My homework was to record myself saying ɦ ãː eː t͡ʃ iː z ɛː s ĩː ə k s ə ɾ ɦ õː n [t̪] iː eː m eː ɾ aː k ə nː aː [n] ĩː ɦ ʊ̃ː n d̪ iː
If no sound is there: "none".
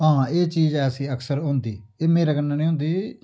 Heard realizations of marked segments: d̪, n

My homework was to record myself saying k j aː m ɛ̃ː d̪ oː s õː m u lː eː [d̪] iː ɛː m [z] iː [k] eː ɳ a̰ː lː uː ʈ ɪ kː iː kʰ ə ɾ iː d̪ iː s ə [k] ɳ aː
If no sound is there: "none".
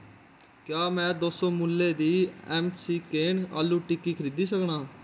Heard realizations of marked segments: d̪, s, k, k

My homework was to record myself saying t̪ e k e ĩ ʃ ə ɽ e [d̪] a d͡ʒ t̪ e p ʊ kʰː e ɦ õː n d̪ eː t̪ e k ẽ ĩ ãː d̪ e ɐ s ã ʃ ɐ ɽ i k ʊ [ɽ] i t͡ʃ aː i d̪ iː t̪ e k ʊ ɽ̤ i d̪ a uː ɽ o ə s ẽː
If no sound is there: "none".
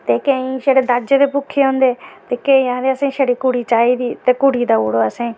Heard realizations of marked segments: d̪, ɽ

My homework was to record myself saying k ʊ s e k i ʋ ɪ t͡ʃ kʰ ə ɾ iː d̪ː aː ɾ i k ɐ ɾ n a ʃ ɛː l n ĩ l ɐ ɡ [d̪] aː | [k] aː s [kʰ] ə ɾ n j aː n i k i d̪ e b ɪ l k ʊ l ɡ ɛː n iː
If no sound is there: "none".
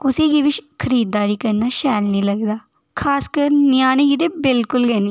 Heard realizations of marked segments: d̪, kʰ, k

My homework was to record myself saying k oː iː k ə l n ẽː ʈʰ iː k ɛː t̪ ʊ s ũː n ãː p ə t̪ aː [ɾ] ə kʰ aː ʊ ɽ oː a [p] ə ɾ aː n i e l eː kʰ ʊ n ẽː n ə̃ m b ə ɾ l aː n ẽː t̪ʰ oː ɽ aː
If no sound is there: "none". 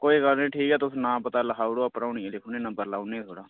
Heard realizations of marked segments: l, p

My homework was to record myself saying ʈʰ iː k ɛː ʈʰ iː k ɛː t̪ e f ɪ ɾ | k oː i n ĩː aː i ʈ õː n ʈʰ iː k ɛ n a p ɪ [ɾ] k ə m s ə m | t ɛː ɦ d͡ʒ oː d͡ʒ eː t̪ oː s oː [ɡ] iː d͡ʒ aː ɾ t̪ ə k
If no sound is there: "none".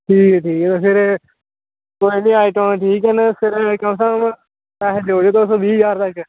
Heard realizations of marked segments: ɾ, b

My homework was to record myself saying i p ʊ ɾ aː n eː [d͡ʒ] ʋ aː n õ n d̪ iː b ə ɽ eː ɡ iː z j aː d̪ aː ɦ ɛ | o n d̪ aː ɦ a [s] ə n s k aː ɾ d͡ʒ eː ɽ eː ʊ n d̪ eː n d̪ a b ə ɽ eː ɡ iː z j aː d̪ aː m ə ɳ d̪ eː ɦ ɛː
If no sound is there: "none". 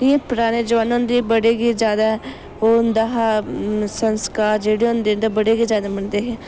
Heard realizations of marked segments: d͡ʒ, s

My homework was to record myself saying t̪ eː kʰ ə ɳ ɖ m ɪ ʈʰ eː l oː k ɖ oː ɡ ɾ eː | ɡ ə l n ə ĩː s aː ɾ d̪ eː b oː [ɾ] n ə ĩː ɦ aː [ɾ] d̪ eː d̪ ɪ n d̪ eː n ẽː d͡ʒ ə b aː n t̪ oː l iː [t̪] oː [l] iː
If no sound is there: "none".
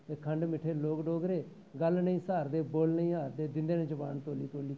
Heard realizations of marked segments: l, ɾ, t̪, l

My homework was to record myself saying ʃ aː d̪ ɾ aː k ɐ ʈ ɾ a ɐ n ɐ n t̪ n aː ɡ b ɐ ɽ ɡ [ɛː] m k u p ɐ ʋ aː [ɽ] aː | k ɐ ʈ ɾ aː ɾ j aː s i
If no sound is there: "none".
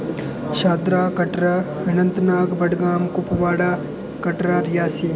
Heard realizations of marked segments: aː, ɽ

